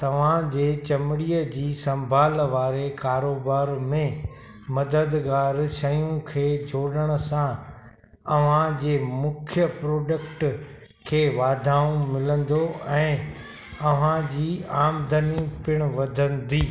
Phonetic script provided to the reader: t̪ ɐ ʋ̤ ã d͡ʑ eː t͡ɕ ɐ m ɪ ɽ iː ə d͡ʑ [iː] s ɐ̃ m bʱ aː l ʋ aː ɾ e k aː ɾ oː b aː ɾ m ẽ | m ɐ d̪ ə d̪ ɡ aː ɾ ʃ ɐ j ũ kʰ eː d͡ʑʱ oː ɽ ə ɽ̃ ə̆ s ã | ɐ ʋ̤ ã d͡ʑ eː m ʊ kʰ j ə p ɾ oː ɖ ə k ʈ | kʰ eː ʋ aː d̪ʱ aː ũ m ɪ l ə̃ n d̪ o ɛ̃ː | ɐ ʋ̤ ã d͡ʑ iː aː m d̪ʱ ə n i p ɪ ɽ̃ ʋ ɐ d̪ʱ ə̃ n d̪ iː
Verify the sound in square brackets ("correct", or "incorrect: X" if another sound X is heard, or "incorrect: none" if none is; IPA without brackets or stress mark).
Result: correct